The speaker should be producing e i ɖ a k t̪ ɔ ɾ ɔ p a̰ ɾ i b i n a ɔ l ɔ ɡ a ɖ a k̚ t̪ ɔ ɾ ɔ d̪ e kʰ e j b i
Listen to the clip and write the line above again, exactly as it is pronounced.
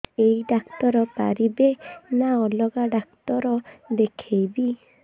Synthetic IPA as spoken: e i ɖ a k t̪ ɔ ɾ ɔ p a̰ ɾ i b e n a ɔ l ɔ ɡ a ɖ a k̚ t̪ ɔ ɾ ɔ d̪ e kʰ e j b i

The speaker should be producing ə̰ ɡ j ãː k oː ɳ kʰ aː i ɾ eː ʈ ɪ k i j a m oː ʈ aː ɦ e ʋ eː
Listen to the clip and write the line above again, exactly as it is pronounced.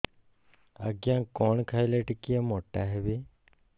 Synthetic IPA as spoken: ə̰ ɡ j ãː k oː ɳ kʰ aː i l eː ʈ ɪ k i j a m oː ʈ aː ɦ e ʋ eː

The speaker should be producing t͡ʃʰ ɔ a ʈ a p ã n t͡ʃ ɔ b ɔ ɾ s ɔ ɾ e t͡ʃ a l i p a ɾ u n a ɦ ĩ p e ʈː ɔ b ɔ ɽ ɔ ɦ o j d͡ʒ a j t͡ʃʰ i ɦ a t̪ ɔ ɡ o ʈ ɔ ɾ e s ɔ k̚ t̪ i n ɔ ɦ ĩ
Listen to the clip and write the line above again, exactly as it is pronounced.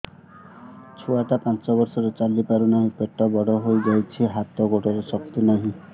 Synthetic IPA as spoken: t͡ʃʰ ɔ a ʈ a p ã n t͡ʃ ɔ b ɔ ɾ s ɔ ɾ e t͡ʃ a l i p a ɾ u n a ɦ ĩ p e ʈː ɔ b ɔ ɽ ɔ ɦ o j d͡ʒ a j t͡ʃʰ i ɦ a t̪ ɔ ɡ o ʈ ɔ ɾ e s ɔ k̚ t̪ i n ɔ ɦ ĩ

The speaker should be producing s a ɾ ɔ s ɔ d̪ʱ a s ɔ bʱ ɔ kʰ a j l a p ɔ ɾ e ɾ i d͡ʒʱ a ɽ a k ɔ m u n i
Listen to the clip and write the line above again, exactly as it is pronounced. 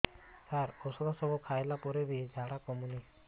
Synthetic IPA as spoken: s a ɾ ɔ s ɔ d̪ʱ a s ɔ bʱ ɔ kʰ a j l a p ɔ ɾ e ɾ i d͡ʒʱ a ɽ a k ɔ m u n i

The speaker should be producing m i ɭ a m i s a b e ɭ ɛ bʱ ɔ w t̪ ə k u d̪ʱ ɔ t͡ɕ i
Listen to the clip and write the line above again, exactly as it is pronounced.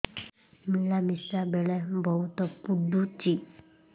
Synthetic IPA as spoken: m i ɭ a m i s a b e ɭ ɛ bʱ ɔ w t̪ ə p u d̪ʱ u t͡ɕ i

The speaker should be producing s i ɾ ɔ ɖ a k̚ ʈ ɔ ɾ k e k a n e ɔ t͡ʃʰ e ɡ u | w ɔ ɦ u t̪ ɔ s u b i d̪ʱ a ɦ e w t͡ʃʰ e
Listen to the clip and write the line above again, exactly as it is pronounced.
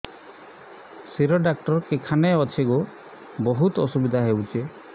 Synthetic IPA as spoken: s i ɾ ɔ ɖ a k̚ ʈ ɔ ɾ k e kʰ a n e ɔ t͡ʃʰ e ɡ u | b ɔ ɦ u t̪ ɔ s u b i d̪ʱ a ɦ e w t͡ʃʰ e

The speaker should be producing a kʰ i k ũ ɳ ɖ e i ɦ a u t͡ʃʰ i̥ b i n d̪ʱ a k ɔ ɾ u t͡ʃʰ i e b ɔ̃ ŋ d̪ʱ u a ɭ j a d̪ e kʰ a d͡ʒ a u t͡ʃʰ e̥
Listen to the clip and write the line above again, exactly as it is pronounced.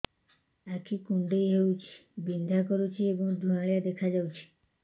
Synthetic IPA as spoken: a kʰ i k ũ ɳ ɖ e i ɦ e u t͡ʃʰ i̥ b i n d̪ʱ a k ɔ ɾ u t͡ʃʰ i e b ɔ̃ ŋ d̪ʱ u a ɭ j a d̪ e kʰ a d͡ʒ a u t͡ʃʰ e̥

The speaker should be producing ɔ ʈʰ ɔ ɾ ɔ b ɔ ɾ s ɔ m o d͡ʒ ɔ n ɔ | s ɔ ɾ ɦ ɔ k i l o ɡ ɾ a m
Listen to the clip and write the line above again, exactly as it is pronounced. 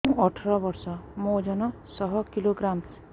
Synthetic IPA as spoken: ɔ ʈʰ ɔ ɾ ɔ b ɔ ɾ s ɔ m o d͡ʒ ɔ n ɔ | s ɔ ɦ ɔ k i l o ɡ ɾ a m

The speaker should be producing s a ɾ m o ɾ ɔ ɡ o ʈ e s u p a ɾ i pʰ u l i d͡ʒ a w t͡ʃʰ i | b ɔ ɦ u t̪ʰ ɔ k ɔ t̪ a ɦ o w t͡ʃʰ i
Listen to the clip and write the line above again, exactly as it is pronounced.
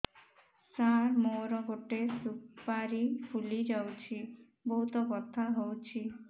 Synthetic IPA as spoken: s a ɾ m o ɾ ɔ ɡ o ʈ e s u p a ɾ i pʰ u l i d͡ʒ a w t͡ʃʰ i | b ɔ ɦ u t̪ ɔ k ɔ t̪ʰ a ɦ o w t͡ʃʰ i

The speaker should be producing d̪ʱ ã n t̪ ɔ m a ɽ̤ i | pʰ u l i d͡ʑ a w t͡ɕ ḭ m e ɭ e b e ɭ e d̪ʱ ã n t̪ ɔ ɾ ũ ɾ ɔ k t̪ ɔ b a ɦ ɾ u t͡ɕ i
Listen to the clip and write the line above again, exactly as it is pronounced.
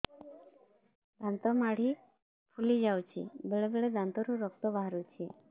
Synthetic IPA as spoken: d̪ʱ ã n t̪ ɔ m a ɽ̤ i | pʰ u l i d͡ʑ a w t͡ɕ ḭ b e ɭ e b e ɭ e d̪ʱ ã n t̪ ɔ ɾ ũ ɾ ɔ k t̪ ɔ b a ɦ ɾ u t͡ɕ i

